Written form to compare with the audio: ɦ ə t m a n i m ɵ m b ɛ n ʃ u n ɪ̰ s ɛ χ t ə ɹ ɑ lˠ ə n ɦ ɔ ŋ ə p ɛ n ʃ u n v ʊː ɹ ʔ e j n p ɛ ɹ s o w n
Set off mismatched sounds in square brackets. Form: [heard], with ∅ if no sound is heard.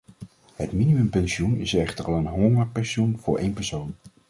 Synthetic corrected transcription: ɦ ə t m [i] n i m ɵ m [p] ɛ n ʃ u n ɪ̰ s ɛ χ t ə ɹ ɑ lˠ ə n ɦ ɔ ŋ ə p ɛ n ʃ u n v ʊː ɹ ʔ e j n p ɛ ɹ s o w n